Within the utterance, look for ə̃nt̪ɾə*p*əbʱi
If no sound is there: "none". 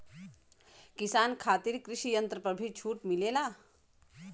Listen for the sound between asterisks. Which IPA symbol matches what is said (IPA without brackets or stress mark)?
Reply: p